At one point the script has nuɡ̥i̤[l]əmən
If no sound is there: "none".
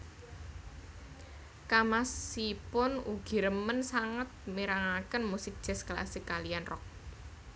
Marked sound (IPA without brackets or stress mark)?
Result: ɾ